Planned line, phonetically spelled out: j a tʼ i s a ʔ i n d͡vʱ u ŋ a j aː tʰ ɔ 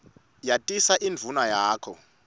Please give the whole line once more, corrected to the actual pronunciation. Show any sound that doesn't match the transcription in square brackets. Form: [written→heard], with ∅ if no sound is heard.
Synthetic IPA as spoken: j a tʼ i s a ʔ i n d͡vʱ u [ŋ→n] a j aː [tʰ→kʰ] ɔ